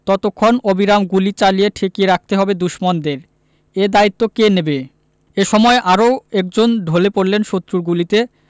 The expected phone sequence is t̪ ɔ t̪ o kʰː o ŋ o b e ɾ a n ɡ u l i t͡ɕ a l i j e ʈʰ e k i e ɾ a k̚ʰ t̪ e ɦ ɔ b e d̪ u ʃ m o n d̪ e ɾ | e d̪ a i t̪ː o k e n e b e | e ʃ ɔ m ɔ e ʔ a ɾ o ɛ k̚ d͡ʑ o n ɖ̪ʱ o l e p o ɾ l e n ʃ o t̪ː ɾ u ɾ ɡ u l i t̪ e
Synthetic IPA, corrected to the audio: t̪ ɔ t̪ o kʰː o n o b i ɾ a m ɡ u l i t͡ɕ a l i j e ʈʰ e k i e ɾ a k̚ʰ t̪ e ɦ ɔ b e d̪ u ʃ m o n d̪ e ɾ | e d̪ a i t̪ː o k e n e b e | e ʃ ɔ m ɔ e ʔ a ɾ o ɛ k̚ d͡ʑ o n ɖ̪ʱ o l e p o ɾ l e n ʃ o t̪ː ɾ u ɾ ɡ u l i t̪ e